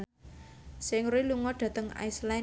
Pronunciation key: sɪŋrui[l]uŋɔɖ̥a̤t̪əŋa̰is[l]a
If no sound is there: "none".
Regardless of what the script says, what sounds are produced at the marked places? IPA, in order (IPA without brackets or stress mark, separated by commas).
l, l